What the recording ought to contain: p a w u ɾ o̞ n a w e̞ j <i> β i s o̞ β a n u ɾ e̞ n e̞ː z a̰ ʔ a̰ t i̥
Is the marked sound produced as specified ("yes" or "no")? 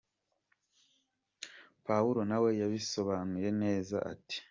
no